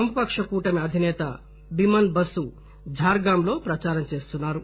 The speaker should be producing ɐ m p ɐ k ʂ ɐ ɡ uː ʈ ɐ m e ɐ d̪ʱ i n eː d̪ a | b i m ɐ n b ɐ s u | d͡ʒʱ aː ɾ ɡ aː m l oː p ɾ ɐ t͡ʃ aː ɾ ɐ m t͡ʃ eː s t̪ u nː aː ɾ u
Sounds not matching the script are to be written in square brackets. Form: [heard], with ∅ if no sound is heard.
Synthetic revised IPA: ɐ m p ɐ k ʂ ɐ [k] uː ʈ ɐ m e ɐ d̪ʱ i n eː [t̪] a | b i m ɐ n b ɐ s u | d͡ʒʱ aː ɾ ɡ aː m l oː p ɾ ɐ t͡ʃ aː ɾ ɐ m t͡ʃ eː s t̪ u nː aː ɾ u